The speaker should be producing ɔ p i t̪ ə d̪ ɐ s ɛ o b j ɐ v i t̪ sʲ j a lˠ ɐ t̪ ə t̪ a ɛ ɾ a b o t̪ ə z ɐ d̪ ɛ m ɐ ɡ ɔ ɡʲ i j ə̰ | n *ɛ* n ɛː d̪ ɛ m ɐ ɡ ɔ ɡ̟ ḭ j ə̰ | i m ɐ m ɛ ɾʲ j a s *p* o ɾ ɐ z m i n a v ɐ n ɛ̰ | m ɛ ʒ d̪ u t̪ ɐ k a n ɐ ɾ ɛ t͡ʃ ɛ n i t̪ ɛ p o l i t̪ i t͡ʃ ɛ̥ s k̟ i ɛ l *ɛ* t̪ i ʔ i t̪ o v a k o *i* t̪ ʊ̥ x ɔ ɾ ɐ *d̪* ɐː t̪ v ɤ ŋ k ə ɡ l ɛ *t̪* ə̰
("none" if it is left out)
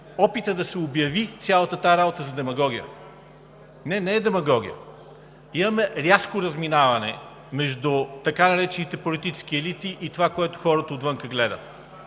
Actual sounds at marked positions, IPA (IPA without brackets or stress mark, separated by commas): ɛ, k, i, ɛ, t̪, d̪